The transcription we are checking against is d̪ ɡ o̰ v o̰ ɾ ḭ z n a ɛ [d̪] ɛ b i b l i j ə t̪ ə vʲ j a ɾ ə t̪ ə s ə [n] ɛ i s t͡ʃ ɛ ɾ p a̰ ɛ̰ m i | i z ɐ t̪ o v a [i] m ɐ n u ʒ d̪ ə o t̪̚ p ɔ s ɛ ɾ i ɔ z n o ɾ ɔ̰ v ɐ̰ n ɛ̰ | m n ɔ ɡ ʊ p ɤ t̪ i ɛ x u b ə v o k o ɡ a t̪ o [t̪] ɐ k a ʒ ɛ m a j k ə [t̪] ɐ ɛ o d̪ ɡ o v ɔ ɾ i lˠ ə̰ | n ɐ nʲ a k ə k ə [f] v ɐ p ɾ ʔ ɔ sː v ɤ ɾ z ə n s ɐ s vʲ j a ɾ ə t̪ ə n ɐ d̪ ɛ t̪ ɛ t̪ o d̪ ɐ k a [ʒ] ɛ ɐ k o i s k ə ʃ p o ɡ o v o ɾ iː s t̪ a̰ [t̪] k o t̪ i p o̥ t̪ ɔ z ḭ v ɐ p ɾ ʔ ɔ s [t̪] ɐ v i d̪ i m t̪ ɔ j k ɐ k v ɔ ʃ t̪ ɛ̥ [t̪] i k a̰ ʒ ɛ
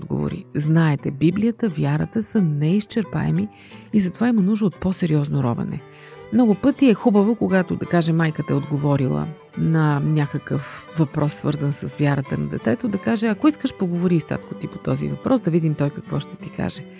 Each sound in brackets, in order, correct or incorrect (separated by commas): incorrect, correct, correct, incorrect, correct, correct, correct, correct, incorrect, correct